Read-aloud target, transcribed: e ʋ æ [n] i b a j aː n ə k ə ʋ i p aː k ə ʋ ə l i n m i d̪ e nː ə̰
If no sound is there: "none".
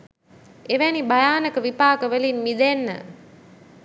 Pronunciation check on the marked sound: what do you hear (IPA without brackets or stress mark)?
n